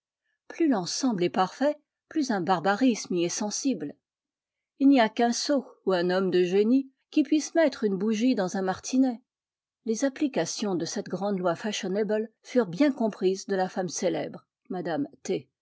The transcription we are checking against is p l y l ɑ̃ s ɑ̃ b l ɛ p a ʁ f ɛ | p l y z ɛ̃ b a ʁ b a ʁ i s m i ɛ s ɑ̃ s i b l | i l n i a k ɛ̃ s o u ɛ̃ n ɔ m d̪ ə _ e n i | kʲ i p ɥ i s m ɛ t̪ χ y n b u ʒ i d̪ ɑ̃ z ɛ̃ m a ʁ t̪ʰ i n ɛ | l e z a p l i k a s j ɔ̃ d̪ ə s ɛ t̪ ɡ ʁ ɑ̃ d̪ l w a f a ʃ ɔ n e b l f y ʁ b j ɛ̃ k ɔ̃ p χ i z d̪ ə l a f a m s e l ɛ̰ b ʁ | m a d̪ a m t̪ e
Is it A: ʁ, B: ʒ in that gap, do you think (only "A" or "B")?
B